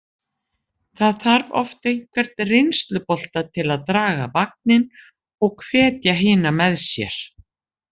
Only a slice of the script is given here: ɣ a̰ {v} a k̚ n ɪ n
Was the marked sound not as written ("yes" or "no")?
no